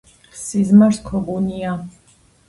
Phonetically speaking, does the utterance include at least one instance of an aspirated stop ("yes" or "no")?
yes